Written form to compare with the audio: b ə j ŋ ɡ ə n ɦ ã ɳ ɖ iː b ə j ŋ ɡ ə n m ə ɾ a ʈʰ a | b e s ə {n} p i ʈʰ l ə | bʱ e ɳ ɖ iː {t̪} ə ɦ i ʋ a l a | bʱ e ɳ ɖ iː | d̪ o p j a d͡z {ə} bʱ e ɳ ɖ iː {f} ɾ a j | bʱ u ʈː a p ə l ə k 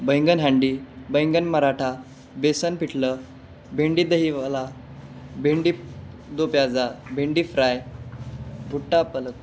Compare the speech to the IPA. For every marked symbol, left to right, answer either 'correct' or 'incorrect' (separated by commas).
correct, incorrect, incorrect, correct